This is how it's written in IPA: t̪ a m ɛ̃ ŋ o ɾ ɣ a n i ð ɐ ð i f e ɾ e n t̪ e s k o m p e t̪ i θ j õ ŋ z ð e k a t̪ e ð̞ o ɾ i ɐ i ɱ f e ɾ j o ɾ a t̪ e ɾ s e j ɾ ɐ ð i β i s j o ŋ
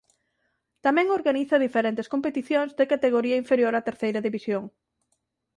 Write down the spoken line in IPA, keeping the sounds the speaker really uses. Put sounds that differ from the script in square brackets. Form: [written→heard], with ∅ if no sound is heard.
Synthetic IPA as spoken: t̪ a m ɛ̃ ŋ o ɾ ɣ a n i [ð→θ] ɐ ð i f e ɾ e n t̪ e s k o m p e t̪ i θ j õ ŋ z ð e k a t̪ e [ð̞→ɣ̞] o ɾ i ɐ i ɱ f e ɾ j o ɾ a t̪ e ɾ [s→θ] e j ɾ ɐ ð i β i s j o ŋ